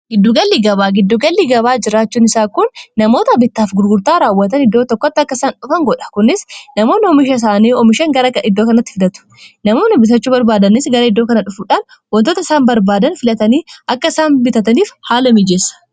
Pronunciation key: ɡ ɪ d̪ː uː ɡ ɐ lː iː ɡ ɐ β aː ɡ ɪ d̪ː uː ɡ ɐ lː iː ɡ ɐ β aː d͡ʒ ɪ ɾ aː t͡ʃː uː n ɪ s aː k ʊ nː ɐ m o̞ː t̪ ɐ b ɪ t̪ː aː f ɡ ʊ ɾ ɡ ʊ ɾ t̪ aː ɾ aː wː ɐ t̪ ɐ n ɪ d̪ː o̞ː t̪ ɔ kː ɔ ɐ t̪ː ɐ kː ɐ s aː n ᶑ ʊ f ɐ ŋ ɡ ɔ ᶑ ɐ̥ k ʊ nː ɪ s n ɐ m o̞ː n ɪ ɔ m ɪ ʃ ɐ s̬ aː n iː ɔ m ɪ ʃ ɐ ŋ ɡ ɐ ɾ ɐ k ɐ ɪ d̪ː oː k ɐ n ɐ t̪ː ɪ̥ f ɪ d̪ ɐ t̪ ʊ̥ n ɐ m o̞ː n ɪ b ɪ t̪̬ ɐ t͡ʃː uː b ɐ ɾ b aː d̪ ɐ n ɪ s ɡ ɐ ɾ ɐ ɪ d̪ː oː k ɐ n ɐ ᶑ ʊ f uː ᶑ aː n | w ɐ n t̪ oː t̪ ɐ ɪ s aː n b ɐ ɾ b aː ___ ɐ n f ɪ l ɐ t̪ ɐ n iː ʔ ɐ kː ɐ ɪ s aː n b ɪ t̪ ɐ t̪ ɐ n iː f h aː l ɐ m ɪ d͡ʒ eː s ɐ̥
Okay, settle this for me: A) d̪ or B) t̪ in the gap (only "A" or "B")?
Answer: A